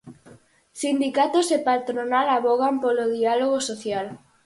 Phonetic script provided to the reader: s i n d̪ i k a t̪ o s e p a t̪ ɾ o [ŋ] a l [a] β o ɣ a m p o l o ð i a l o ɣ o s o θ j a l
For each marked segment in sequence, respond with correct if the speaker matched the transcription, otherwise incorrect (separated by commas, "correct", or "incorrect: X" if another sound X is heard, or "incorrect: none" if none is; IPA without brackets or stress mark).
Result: incorrect: n, correct